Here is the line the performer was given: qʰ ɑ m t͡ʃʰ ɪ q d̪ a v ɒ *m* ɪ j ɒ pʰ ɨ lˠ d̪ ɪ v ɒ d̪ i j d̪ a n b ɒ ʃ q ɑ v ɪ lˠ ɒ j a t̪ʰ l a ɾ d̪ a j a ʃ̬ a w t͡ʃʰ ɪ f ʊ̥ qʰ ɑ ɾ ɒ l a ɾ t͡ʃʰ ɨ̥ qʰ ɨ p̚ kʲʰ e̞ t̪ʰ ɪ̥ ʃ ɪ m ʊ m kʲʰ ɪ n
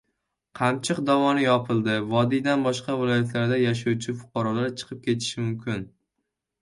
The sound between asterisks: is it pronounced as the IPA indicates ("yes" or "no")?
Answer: no